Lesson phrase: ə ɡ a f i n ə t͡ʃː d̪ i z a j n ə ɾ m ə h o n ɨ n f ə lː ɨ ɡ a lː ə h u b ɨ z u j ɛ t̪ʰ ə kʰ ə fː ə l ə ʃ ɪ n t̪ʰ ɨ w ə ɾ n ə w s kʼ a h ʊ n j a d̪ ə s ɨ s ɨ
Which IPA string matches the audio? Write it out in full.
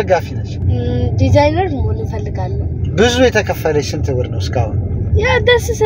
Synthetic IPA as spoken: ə ɡ a f i n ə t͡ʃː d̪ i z a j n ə ɾ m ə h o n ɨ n f ə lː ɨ ɡ a lː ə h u b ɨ z u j ɛ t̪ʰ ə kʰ ə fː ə l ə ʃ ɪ n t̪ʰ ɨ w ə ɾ n ə w s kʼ a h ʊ n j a d̪ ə s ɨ s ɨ

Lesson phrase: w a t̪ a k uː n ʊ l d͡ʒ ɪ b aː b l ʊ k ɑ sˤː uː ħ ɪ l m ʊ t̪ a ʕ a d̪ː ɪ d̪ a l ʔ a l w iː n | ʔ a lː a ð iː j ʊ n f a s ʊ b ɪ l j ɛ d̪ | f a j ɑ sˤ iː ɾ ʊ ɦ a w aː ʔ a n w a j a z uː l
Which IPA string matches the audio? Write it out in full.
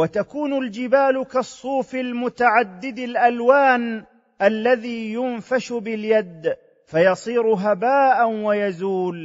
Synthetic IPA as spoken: w a t̪ a k uː n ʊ l d͡ʒ ɪ b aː l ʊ k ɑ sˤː uː f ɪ l m ʊ t̪ a ʕ a d̪ː ɪ d̪ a l ʔ a l w aː n | ʔ a lː a ð iː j ʊ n f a ʃ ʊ b ɪ l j a d̪ | f a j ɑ sˤ iː ɾ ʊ ɦ a b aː ʔ a n w a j a z uː l

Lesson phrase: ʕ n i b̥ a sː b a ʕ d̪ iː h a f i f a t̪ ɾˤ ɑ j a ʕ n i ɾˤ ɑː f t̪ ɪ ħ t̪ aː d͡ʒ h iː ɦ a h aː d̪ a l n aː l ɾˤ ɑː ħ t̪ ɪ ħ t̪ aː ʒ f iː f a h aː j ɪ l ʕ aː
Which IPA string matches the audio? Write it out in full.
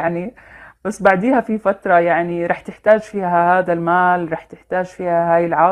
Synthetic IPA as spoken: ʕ n i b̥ a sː b a ʕ d̪ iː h a f i f a t̪ ɾˤ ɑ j a ʕ n i ɾˤ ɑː ħ t̪ ɪ ħ t̪ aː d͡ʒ f iː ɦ a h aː d̪ a l m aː l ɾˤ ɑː ħ t̪ ɪ ħ t̪ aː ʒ f iː h a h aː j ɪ l ʕ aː

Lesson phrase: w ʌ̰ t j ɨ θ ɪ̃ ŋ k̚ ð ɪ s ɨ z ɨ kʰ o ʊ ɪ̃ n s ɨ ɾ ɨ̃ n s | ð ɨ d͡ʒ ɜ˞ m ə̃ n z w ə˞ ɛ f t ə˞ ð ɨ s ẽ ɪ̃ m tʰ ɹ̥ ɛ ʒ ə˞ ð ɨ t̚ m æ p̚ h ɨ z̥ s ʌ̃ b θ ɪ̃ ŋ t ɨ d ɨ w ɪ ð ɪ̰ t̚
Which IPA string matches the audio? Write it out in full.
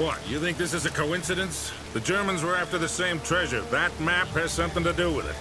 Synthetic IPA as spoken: w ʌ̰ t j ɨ θ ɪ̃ ŋ k̚ ð ɪ s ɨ z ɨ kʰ o ʊ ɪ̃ n s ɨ ɾ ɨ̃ n s | ð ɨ d͡ʒ ɜ˞ m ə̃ n z w ə˞ æ f t ə˞ ð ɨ s ẽ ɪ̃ m tʰ ɹ̥ ɛ ʒ ə˞ ð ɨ t̚ m æ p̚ h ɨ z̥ s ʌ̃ m θ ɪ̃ ŋ t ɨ d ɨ w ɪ ð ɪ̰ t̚

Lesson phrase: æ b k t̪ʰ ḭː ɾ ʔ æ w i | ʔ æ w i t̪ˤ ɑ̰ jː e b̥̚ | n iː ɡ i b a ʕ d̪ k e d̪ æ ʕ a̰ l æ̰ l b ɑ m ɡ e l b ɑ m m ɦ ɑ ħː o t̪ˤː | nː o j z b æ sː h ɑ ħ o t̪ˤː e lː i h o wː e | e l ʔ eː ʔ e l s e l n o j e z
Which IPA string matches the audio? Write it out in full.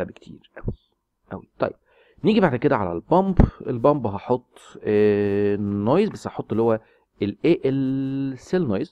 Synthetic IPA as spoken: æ b k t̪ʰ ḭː ɾ ʔ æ w i | ʔ æ w i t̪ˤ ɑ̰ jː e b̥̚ | n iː ɡ i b a ʕ d̪ k e d̪ æ ʕ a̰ l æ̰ l b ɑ m b e l b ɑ m b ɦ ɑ ħ o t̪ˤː | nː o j z b æ sː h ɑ ħ o t̪ˤː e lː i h o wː æ | e l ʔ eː ʔ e l s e l n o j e z

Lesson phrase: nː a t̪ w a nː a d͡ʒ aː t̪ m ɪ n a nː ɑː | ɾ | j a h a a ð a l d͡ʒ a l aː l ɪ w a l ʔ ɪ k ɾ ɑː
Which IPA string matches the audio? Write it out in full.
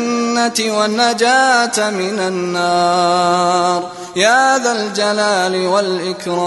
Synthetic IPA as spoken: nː a t̪ w a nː a d͡ʒ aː t̪ m ɪ n a nː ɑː | ɾ | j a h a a ð a l d͡ʒ a l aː l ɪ w a l ʔ ɪ k ɾ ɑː

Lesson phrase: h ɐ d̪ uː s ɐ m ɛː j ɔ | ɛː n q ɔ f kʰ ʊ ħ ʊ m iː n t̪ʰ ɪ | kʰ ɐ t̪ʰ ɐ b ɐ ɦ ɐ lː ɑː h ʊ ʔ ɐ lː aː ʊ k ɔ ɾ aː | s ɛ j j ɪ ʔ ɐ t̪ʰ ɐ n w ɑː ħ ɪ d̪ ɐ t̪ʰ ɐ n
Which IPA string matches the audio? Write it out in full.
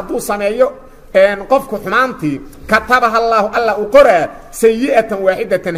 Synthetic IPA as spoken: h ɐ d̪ uː s ɐ m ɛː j ɔ | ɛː n q ɔ f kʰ ʊ ħ ʊ m aː n t̪ʰ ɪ | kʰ ɐ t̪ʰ ɐ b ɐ ɦ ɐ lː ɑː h ʊ ʔ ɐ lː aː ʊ q ɔ ɾ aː | s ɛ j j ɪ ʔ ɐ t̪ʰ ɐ n w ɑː ħ ɪ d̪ ɐ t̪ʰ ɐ n

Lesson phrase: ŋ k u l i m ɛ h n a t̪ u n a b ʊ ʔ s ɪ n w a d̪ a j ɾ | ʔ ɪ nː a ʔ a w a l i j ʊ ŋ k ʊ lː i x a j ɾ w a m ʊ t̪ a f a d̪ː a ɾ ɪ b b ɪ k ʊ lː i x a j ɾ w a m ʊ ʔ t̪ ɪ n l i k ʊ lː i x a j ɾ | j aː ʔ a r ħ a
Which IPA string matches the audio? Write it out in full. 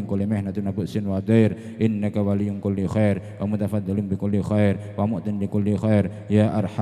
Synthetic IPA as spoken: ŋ k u l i m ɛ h n a t̪ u n a b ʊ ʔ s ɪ n w a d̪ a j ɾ | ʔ ɪ nː a k a w a l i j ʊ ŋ k ʊ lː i x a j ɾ w a m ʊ t̪ a f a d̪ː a l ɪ m b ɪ k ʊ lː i x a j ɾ w a m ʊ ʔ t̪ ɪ n l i k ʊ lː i x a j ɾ | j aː ʔ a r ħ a

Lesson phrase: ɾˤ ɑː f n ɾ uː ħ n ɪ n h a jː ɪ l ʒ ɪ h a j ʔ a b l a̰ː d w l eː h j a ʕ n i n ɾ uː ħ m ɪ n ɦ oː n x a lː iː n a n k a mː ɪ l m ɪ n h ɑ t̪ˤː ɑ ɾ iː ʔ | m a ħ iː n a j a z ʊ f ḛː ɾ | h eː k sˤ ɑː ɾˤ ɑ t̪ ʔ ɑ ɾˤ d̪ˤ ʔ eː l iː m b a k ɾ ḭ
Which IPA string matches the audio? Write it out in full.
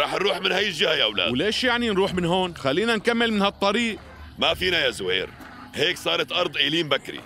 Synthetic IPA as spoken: ɾˤ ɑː ħ n ɾ uː ħ m ɪ n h a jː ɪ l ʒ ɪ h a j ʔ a w l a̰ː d w l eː ʃ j a ʕ n i n ɾ uː ħ m ɪ n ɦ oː n x a lː iː n a n k a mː ɪ l m ɪ n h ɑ t̪ˤː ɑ ɾ iː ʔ | m a f iː n a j a z ʊ h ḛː ɾ | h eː k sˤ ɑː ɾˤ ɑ t̪ ʔ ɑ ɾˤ d̪ˤ ʔ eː l iː m b a k ɾ ḭ

